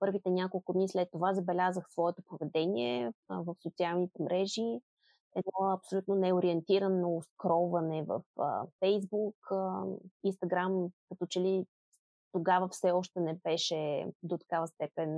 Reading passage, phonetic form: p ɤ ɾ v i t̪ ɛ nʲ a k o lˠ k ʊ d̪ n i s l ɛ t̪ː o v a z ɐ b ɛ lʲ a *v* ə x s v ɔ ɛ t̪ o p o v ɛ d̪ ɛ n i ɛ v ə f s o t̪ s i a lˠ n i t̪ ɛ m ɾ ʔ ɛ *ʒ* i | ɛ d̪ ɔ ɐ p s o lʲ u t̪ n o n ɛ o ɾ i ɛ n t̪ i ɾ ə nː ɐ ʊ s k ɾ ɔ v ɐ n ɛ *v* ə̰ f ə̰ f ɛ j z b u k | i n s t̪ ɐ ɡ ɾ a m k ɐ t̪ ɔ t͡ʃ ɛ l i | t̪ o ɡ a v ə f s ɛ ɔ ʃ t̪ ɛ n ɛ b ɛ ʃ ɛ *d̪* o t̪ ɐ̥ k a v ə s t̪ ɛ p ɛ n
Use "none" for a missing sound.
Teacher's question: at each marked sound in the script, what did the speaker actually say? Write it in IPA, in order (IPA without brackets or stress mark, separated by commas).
z, ʒ, v, d̪